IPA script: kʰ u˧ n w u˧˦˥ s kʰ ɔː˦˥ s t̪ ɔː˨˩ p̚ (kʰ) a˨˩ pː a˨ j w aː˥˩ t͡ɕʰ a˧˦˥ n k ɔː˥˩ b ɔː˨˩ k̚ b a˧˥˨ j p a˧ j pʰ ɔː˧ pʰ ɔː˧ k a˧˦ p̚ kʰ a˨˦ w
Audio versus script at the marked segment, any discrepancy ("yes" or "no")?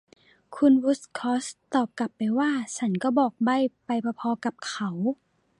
yes